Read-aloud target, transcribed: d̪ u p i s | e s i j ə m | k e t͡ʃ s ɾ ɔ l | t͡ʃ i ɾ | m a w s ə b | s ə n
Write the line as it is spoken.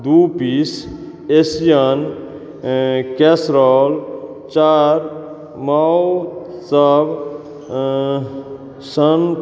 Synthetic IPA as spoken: d̪ u p i s | e s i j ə n | k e s ɾ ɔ l | t͡ʃ a ɾ | m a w s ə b | s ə n